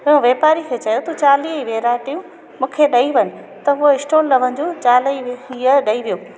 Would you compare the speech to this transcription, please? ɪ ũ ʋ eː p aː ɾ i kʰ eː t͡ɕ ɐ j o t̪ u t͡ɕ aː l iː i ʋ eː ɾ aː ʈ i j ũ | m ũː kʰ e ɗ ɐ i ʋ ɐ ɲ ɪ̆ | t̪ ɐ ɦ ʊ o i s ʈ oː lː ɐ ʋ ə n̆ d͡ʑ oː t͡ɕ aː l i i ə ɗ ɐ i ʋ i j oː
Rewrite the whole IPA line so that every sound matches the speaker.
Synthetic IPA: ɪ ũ ʋ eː p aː ɾ i kʰ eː t͡ɕ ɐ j o t̪ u t͡ɕ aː l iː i ʋ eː ɾ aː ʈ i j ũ | m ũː kʰ e ɗ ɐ i ʋ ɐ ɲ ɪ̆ | t̪ ɐ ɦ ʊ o ɪ s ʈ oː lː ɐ ʋ ə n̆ d͡ʑ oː t͡ɕ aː l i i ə ɗ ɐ i ʋ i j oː